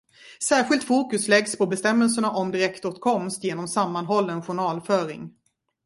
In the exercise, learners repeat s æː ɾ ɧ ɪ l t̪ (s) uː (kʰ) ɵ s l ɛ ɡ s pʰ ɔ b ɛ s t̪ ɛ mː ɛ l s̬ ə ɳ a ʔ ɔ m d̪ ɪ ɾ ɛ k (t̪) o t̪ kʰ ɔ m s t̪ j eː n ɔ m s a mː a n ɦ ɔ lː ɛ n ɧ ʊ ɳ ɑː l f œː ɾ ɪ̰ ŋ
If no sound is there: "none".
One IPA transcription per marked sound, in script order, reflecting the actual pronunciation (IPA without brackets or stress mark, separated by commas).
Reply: f, k, t̪